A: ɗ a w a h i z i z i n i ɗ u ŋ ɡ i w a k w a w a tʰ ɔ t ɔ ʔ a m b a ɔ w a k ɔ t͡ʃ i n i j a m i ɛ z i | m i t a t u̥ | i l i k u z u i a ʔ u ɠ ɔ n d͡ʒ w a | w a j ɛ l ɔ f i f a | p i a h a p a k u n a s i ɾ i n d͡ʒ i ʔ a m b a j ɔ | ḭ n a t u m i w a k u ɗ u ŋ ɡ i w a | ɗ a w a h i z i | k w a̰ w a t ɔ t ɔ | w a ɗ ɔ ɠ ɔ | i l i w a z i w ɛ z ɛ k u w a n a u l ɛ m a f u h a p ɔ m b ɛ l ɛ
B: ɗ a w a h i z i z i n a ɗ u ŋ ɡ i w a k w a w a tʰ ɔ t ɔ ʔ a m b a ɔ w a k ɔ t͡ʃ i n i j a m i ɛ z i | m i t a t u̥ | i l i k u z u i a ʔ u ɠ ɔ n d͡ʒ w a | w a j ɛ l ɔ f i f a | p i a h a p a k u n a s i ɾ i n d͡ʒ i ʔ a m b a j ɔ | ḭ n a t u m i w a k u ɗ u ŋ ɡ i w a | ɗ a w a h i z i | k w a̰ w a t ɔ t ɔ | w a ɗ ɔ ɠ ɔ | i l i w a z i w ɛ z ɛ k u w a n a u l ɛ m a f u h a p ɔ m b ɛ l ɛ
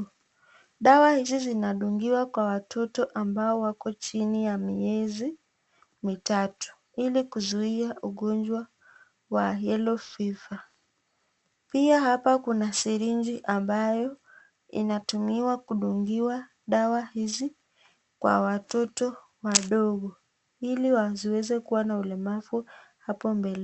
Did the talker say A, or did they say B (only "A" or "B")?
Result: B